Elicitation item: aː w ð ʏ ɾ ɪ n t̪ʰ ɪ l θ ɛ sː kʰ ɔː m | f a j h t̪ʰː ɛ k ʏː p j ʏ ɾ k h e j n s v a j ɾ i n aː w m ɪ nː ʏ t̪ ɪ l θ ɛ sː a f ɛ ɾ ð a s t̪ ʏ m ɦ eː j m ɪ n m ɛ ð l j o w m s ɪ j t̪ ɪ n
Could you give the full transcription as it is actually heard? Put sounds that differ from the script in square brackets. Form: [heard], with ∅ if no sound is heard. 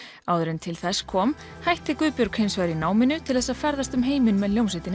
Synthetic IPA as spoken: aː w ð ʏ ɾ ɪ n t̪ʰ ɪ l θ ɛ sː kʰ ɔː m | [h] a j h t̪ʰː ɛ k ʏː p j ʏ ɾ k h e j n s v a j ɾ i n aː w m ɪ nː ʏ [t̪ʰ] ɪ l θ ɛ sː a f ɛ ɾ ð a s t̪ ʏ m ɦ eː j m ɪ n m ɛ ð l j o w m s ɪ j t̪ ɪ n